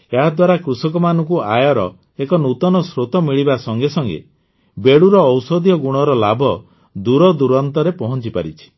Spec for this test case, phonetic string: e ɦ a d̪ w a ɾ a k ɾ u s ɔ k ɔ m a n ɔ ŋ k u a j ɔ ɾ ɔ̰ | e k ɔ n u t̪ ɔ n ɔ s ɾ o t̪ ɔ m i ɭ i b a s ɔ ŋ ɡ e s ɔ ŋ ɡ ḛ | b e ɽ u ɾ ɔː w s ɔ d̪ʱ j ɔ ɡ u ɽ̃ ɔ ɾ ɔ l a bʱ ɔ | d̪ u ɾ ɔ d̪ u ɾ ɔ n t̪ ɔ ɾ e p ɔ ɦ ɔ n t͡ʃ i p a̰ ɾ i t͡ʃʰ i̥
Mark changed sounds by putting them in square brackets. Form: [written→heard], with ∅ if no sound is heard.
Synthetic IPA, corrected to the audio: e ɦ a d̪ w a ɾ a k ɾ u s ɔ k ɔ m a n ɔ ŋ k u a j ɔ ɾ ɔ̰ | e k ɔ n u t̪ ɔ n ɔ s ɾ o t̪ ɔ m i ɭ i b a s ɔ ŋ ɡ e s ɔ ŋ ɡ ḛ | b e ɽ u ɾ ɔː w s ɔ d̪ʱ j ɔ ɡ u ɽ̃ ɔ ɾ ɔ l a bʱ ɔ | d̪ u ɾ ɔ d̪ u ɾ ɔ n t̪ ɔ ɾ e p ɔ ɦ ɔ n t͡ʃ i p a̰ ɾ i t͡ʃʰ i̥